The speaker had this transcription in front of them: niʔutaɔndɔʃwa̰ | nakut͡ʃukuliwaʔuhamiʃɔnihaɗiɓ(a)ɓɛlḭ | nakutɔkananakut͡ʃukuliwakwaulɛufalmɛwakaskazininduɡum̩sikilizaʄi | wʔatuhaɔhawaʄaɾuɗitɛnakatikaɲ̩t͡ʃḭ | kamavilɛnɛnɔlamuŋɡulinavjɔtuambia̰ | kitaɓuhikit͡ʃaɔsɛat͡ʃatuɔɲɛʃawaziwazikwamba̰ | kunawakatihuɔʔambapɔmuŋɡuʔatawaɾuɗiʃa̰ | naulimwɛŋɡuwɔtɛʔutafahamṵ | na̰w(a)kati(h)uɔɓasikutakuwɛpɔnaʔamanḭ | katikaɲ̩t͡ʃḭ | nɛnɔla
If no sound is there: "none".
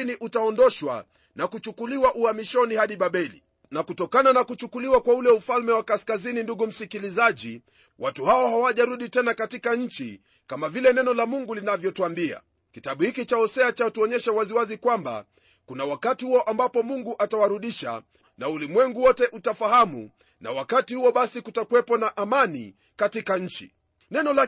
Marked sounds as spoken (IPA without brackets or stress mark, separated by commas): a, a, h